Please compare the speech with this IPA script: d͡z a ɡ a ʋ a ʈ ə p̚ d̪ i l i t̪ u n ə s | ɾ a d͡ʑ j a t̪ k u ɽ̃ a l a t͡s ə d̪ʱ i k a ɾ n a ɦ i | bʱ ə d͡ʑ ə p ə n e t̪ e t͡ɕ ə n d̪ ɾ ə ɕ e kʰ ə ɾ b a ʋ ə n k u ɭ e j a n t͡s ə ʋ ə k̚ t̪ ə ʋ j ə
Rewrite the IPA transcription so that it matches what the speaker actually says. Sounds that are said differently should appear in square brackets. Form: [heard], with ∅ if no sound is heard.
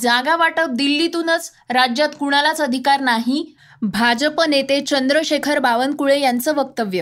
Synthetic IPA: d͡z a ɡ a ʋ a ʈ ə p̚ d̪ i [lː] i t̪ u n ə [t͡s] | ɾ a d͡ʑ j a t̪ k u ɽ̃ a l a t͡s ə d̪ʱ i k a ɾ n a ɦ i | bʱ [a] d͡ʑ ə p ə n e t̪ e t͡ɕ ə n d̪ ɾ ə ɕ e kʰ ə ɾ b a ʋ ə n k u ɭ e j a n t͡s ə ʋ ə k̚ t̪ ə ʋ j ə